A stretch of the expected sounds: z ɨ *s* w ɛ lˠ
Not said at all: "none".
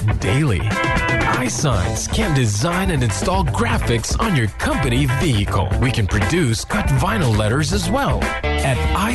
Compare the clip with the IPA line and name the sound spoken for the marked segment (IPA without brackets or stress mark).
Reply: z